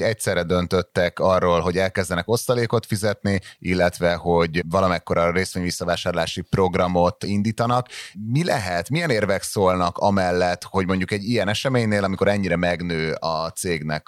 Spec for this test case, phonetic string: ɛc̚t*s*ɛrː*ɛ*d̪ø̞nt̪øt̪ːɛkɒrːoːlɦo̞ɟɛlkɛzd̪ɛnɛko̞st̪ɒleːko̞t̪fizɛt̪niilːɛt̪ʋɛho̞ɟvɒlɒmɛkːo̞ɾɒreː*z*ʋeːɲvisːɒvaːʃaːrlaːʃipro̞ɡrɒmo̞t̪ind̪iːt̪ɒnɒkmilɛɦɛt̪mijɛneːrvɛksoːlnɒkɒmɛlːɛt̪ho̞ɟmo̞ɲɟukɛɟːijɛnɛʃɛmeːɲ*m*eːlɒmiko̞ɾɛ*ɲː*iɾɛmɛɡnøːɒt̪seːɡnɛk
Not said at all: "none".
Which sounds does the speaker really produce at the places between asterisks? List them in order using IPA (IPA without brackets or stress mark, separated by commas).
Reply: s, ɛ, s, n, ɲː